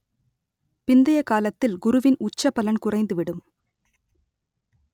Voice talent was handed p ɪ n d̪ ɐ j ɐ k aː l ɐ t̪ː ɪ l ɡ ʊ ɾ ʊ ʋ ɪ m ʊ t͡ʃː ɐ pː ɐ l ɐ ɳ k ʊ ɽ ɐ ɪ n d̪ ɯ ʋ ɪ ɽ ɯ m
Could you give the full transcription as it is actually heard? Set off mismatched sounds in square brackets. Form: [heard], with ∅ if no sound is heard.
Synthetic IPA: p ɪ n d̪ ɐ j ɐ k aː l ɐ t̪ː ɪ l ɡ ʊ ɾ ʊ ʋ ɪ [n] ʊ t͡ʃː ɐ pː ɐ l ɐ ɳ k ʊ [r] ɐ ɪ n d̪ ɯ ʋ ɪ ɽ ɯ m